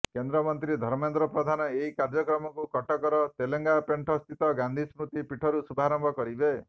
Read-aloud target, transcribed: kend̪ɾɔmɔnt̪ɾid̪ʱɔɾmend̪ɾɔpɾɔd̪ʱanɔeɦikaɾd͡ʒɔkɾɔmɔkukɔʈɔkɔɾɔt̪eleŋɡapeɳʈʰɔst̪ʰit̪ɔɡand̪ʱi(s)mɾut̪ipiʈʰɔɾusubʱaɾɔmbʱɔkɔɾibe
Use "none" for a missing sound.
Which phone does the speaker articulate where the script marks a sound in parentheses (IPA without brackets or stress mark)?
s